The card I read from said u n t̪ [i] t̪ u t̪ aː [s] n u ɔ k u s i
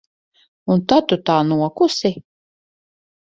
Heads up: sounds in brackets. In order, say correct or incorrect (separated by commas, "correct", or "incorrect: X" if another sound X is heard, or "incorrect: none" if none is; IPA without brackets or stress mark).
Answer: incorrect: a, incorrect: none